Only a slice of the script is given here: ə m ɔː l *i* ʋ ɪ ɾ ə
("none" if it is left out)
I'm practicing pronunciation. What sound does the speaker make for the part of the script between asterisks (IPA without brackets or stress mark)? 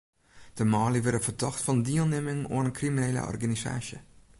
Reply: i